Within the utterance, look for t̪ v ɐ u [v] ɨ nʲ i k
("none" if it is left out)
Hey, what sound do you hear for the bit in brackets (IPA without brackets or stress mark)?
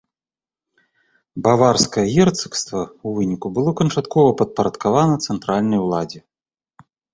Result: v